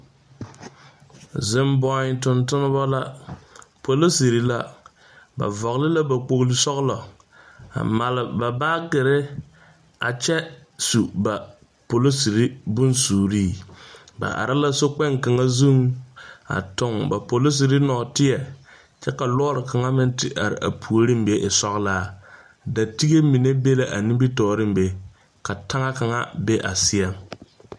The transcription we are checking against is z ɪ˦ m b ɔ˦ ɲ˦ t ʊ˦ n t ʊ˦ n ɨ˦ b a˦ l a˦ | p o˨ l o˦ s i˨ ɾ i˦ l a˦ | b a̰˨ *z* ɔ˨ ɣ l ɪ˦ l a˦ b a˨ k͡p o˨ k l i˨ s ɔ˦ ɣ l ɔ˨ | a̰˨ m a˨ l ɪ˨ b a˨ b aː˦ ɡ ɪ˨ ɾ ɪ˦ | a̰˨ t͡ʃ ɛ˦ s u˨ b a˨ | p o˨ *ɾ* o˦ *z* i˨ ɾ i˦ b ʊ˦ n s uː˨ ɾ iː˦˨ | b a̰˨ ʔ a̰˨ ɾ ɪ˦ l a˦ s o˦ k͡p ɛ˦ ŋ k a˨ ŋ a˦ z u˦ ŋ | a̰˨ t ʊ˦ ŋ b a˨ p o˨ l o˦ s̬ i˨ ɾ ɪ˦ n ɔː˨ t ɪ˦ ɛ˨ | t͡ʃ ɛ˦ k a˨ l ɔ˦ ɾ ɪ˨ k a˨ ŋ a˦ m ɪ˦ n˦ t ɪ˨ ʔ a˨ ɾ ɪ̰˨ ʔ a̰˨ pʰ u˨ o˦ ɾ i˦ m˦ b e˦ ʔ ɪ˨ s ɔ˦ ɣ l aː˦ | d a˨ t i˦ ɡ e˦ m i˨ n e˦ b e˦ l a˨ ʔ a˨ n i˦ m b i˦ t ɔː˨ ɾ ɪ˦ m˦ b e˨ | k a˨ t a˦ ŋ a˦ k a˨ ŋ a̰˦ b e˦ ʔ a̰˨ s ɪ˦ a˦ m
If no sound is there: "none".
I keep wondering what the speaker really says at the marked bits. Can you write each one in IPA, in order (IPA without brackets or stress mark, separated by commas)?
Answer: v, l, s